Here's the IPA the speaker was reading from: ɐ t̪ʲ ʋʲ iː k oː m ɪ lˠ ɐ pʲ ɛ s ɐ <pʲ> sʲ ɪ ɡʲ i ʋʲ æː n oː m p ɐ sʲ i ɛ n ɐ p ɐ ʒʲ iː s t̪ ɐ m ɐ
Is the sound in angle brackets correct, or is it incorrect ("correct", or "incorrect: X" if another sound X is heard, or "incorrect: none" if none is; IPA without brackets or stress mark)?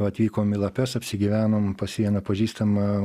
correct